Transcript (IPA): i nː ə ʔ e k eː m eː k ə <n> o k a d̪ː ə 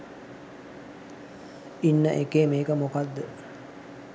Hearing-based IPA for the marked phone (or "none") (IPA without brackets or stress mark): m